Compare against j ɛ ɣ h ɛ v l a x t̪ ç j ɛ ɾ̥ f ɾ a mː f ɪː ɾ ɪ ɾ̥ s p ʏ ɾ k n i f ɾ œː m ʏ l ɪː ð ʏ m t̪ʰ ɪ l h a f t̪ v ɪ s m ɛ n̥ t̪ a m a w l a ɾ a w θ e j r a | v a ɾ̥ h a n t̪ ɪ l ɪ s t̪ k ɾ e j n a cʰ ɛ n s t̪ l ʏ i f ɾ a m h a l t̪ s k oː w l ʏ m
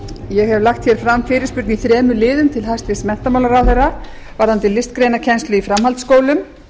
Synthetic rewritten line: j ɛ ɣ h ɛ v l a x t̪ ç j ɛ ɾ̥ f ɾ a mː f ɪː ɾ ɪ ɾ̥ s p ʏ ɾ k n i θ ɾ ɛː m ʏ l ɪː ð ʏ m t̪ʰ ɪ l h a s t̪ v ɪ s m ɛ n̥ t̪ a m a w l a ɾ a w θ e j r a | v a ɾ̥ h a n t̪ ɪ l ɪ s t̪ k ɾ e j n a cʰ ɛ n s t̪ l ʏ i f ɾ a m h a l t̪ s k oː w l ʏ m